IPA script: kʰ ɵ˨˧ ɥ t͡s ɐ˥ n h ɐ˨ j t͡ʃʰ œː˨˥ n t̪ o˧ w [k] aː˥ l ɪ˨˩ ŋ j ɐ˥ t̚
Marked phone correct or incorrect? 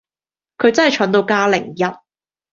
correct